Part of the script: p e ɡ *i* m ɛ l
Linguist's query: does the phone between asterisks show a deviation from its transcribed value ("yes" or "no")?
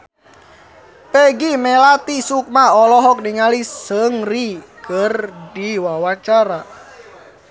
no